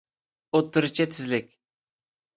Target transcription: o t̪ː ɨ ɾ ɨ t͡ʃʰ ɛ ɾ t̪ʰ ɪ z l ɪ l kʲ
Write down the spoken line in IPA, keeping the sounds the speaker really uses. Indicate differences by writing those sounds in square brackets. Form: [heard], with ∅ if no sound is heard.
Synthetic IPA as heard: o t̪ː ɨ ɾ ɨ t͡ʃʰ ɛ [∅] t̪ʰ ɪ z l ɪ [∅] kʲ